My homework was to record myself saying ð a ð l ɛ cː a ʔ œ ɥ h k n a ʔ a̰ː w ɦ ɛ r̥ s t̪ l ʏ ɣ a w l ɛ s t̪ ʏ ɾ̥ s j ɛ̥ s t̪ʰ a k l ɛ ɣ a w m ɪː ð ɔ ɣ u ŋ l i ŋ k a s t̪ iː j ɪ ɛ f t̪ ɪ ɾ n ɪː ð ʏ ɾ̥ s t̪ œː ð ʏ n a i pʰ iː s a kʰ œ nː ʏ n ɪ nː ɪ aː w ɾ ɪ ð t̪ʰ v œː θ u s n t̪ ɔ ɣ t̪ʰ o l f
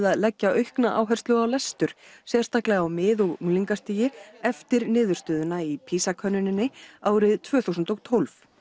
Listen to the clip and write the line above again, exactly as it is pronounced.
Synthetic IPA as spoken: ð a ð l ɛ cː a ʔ œ ɥ h k n a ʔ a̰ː w ɦ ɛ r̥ s t̪ l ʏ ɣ a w l ɛ s t̪ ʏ ɾ̥ s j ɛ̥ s t̪ a k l ɛ ɣ a w m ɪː ð ɔ ɣ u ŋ l i ŋ k a s t̪ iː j ɪ ɛ f t̪ ɪ ɾ n ɪː ð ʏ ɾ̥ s t̪ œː ð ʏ n a i pʰ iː s a kʰ œ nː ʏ n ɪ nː ɪ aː w ɾ ɪ ð t̪ʰ v œː θ u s n t̪ ɔ ɣ t̪ʰ o l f